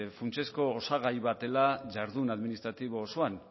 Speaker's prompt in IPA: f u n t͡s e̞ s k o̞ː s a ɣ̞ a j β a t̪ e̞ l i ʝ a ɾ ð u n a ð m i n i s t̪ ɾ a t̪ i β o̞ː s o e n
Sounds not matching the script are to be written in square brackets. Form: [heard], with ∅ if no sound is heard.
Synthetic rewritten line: f u n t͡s e̞ s k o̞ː s a ɣ̞ a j β a t̪ e̞ l [a] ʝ a ɾ ð u n a ð m i n i s t̪ ɾ a t̪ i β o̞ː s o [a] n